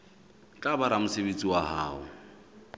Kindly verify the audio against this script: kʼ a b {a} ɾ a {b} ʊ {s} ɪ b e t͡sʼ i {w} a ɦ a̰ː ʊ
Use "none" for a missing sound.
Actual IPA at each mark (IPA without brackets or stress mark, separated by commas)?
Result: a, m, s, w